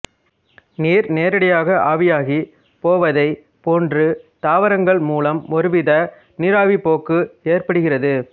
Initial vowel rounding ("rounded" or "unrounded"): unrounded